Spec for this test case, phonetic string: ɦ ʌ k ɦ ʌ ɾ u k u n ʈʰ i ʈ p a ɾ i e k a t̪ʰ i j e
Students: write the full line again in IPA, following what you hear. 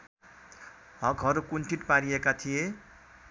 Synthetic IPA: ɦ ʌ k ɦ ʌ ɾ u k u n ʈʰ i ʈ p a ɾ i e k a t̪ʰ i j e